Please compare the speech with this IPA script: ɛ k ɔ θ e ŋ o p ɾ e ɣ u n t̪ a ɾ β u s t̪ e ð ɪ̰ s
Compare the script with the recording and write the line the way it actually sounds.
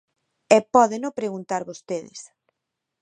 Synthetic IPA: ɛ p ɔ ð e n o p ɾ e ɣ u n t̪ a ɾ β o s t̪ e ð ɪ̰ s